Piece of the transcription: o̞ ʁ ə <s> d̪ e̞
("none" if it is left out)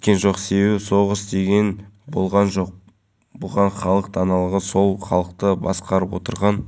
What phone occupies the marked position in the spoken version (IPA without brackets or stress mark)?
s